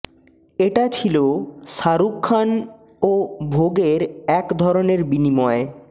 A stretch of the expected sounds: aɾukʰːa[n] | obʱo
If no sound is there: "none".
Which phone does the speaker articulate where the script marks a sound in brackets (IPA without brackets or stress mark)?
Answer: n